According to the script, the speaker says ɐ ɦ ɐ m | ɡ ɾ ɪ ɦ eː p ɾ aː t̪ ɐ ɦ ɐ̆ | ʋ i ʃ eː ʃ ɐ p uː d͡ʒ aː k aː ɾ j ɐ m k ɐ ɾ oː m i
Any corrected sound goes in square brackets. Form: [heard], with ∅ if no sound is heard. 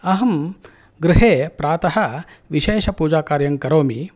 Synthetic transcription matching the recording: ɐ ɦ ɐ m | ɡ ɾ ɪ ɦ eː p ɾ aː t̪ ɐ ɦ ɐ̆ | ʋ i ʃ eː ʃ ɐ p uː d͡ʒ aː k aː ɾ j ɐ [ŋ] k ɐ ɾ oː m i